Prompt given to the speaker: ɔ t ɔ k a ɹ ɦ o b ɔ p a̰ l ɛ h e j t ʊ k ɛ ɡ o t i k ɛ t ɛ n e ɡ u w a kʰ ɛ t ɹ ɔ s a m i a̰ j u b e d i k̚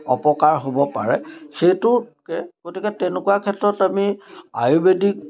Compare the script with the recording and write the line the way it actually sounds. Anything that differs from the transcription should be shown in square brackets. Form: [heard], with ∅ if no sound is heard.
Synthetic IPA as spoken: ɔ [p] ɔ k a ɹ ɦ o b ɔ p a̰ [ɹ] ɛ [x] e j t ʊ k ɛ ɡ o t i k ɛ t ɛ n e [k] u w a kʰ ɛ t ɹ ɔ [t] a m i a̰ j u b e d i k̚

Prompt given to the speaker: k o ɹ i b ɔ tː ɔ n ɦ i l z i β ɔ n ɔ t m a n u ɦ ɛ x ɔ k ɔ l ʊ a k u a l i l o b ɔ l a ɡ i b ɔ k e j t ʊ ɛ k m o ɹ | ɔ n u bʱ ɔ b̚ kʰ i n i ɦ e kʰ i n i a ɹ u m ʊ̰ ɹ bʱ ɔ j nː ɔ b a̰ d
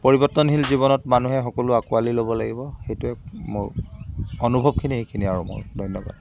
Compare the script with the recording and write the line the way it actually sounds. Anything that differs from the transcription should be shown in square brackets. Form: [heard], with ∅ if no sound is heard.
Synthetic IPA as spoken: [p] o ɹ i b ɔ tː ɔ n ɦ i l z i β ɔ n ɔ t m a n u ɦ ɛ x ɔ k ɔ l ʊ a k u a l i l o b ɔ l a ɡ i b ɔ [x] e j t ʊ ɛ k m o ɹ | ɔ n u bʱ ɔ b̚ kʰ i n i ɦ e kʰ i n i a ɹ u m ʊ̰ ɹ [dʱ] ɔ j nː ɔ b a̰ d

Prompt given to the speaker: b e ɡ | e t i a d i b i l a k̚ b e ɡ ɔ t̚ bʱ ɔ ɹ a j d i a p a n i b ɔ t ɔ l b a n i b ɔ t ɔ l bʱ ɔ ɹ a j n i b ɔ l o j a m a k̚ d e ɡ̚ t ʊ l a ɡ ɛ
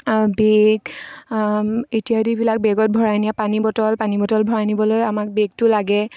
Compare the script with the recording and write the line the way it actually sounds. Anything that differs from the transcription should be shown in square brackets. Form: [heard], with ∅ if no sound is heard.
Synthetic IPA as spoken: b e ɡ | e t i a d i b i l a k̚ b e ɡ ɔ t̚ bʱ ɔ ɹ a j [n] i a p a n i b ɔ t ɔ l [p] a n i b ɔ t ɔ l bʱ ɔ ɹ a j n i b ɔ l o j a m a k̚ [b] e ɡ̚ t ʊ l a ɡ ɛ

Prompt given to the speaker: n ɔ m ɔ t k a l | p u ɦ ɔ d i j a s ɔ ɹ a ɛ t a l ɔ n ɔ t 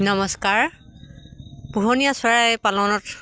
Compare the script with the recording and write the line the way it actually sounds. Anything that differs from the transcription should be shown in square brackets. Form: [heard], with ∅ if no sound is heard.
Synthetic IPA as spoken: n ɔ m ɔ [s] k a [ɹ] | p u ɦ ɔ [n] i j a s ɔ ɹ a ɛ [p] a l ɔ n ɔ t

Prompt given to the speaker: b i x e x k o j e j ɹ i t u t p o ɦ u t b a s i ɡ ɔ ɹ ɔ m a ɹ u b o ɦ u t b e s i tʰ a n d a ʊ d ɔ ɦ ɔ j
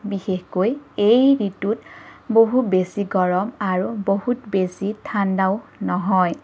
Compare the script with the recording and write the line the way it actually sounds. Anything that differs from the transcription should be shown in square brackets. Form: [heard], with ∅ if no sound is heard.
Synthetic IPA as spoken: b i x e x k o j e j ɹ i t u t [b] o ɦ u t b [e] s i ɡ ɔ ɹ ɔ m a ɹ u b o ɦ u t b e s i tʰ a n d a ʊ [n] ɔ ɦ ɔ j

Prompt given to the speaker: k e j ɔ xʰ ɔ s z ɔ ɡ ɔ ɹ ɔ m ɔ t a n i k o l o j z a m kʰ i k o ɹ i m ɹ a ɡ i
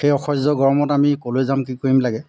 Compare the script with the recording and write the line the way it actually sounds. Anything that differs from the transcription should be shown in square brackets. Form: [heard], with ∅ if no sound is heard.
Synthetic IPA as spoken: [x] e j ɔ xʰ ɔ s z ɔ ɡ ɔ ɹ ɔ m ɔ t a [m] i k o l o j z a m [k] i k o ɹ i m [l] a ɡ [ɛ]

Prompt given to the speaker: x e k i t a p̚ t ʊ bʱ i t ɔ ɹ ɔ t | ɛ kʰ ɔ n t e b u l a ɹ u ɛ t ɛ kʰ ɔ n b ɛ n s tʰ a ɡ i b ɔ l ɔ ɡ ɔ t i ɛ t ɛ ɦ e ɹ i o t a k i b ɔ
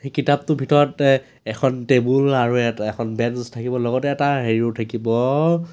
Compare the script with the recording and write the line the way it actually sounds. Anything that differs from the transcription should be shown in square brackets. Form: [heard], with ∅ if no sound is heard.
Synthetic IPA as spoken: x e k i t a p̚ t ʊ bʱ i t ɔ ɹ ɔ t | ɛ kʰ ɔ n t e b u l a ɹ u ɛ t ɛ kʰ ɔ n b ɛ n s tʰ a [k] i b ɔ l ɔ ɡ ɔ t [ɛ] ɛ t [a] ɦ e ɹ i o [tʰ] a k i b ɔ

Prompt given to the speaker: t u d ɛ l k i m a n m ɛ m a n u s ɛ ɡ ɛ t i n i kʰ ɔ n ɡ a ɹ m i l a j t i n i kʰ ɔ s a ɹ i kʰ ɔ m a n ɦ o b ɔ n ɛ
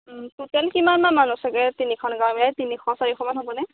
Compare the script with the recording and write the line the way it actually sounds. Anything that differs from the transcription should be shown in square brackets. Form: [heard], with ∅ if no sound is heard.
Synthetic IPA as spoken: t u [t] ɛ l k i m a n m [a] m a n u s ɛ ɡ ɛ t i n i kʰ ɔ n ɡ a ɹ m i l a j t i n i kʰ ɔ s a ɹ i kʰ ɔ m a n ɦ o b ɔ n ɛ

